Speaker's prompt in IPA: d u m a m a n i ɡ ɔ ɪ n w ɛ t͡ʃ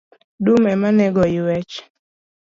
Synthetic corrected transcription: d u m ɛ m a n ɛ ɡ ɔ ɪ w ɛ t͡ʃ